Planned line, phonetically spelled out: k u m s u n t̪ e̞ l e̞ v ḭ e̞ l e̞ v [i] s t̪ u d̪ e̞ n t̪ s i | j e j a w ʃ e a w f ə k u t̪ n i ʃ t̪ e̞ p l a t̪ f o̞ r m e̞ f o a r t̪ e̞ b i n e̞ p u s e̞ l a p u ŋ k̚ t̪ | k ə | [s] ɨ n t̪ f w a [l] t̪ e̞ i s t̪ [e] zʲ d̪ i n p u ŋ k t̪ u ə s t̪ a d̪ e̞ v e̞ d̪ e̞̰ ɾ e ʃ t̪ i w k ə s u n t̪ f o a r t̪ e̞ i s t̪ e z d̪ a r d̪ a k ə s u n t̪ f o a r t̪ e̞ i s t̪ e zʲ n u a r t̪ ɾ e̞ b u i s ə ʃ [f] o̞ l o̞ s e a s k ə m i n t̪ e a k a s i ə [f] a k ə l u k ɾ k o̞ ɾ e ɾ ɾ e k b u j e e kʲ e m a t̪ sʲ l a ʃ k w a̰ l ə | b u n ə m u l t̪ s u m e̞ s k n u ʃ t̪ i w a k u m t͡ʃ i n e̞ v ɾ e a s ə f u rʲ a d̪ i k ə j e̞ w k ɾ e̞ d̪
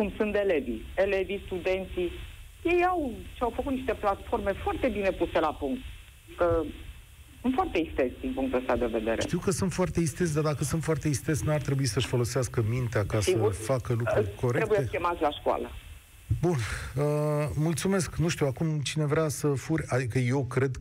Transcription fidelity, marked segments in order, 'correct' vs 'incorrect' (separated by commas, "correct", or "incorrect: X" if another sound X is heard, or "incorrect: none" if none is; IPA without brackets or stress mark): correct, correct, incorrect: r, correct, correct, correct